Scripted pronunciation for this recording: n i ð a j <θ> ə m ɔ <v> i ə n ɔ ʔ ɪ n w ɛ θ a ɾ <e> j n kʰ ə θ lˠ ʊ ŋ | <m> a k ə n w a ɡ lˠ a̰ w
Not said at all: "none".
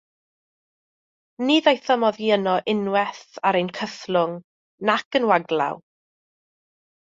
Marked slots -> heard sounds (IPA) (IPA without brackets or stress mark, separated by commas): θ, ð, e, n